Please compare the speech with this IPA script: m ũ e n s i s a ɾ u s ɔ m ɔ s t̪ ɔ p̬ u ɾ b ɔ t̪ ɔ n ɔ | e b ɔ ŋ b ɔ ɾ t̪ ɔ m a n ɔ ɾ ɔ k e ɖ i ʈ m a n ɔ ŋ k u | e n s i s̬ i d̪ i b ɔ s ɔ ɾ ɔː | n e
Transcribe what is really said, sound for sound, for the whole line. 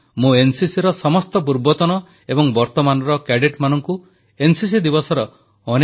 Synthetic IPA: m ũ e n s i s i ɾ ɔ s ɔ m ɔ s t̪ ɔ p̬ u ɾ b ɔ t̪ ɔ n ɔ | e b ɔ ŋ b ɔ ɾ t̪ ɔ m a n ɔ ɾ ɔ k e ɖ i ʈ m a n ɔ ŋ k u | e n s i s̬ i d̪ i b ɔ s ɔ ɾ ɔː | n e